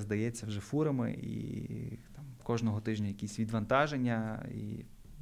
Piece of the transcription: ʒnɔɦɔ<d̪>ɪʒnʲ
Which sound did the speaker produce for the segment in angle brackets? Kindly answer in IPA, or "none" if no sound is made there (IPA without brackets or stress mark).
t̪